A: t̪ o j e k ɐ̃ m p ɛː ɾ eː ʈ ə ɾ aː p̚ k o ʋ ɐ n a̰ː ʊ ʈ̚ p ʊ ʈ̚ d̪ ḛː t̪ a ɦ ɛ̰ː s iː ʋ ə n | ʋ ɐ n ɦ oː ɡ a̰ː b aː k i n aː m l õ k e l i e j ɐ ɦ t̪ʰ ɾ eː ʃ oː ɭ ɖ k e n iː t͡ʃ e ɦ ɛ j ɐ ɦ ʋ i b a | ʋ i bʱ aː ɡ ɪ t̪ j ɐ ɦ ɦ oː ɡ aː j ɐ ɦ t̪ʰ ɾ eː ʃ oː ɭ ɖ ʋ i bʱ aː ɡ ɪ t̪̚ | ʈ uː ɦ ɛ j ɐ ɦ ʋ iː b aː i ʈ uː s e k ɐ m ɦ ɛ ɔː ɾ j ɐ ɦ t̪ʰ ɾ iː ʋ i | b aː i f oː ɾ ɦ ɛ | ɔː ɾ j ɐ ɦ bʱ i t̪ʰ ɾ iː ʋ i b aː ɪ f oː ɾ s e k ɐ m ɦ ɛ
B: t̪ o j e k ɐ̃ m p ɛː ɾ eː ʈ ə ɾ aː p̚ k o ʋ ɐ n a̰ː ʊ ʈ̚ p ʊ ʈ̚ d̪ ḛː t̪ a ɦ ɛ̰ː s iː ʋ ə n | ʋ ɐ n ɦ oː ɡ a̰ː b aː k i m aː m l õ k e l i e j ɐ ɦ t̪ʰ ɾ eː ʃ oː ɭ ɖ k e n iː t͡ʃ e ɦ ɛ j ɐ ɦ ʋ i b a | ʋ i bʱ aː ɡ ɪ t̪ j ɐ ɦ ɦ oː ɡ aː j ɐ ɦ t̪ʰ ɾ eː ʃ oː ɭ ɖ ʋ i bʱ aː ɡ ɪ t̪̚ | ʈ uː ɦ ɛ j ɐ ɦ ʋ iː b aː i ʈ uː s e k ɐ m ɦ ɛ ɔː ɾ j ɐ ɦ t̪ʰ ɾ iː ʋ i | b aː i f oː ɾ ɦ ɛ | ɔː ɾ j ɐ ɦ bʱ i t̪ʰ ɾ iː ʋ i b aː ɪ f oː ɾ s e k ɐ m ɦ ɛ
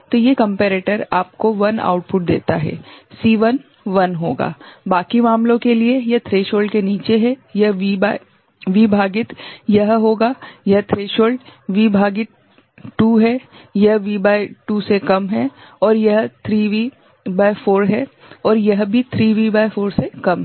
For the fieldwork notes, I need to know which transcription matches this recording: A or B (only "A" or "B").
B